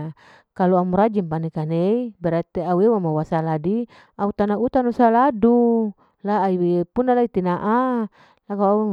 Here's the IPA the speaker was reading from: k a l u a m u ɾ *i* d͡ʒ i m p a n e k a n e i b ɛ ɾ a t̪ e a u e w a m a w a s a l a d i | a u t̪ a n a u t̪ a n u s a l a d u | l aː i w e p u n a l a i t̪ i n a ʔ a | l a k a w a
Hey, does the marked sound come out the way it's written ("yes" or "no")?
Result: no